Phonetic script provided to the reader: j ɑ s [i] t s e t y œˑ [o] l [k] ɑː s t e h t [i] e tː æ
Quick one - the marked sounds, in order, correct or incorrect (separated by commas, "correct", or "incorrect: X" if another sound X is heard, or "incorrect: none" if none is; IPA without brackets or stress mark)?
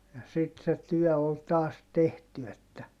correct, correct, incorrect: t, incorrect: y